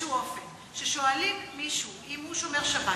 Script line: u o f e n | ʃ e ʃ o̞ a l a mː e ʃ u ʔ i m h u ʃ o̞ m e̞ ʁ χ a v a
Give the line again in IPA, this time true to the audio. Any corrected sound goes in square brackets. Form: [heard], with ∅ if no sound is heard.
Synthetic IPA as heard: u o f e n | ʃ e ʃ o̞ a l [i] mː [i] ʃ u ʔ i m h u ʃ o̞ m e̞ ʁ [ʃ] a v a